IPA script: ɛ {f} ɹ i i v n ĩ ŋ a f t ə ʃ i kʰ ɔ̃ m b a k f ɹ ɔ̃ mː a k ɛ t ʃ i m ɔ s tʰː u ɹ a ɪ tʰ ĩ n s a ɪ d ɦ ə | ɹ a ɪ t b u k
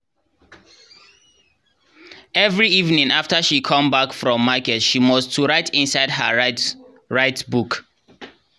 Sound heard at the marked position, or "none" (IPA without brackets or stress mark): v